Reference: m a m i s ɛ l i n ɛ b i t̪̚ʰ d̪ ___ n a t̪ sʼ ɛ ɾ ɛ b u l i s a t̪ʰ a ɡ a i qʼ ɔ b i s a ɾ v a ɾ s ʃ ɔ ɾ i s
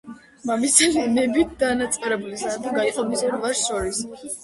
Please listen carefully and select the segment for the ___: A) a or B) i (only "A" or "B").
A